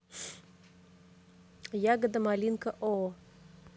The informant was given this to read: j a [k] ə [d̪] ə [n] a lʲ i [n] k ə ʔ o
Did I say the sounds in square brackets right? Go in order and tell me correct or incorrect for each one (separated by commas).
incorrect, correct, incorrect, correct